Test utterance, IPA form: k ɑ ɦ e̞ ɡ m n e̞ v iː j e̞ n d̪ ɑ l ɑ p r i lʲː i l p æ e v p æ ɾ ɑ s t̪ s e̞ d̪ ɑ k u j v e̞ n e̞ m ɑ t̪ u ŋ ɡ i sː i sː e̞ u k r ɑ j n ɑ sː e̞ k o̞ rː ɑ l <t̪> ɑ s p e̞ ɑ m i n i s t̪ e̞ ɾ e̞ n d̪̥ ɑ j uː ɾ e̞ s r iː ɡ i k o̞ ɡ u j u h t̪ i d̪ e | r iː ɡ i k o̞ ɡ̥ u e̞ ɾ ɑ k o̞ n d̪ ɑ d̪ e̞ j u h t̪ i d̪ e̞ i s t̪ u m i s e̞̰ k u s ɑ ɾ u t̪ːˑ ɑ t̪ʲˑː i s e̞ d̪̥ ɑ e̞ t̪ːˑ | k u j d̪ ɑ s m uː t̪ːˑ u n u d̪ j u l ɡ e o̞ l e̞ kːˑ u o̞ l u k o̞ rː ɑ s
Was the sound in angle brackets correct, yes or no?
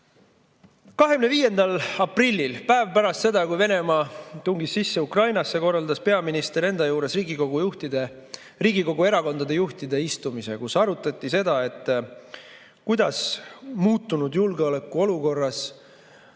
no